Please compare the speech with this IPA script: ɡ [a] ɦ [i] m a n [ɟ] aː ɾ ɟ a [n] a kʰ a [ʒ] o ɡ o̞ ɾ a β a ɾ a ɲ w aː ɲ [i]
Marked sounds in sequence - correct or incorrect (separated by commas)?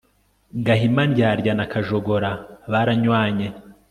correct, correct, correct, correct, correct, incorrect